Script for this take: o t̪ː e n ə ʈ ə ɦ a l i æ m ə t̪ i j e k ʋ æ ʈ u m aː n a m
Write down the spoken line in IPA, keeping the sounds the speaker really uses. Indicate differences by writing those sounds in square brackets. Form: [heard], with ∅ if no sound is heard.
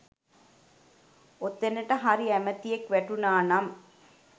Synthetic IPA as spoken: o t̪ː e n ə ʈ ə ɦ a [ɾ] i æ m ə t̪ i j e k ʋ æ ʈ u [n] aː n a m